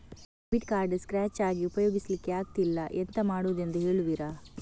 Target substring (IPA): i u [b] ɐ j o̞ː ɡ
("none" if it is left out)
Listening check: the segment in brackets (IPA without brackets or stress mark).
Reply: p